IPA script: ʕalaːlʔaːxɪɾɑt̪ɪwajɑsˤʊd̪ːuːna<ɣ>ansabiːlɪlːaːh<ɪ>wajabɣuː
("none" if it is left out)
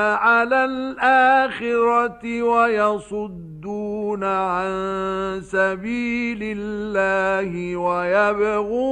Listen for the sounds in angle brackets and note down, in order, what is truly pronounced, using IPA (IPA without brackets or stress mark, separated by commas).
ʕ, ɪ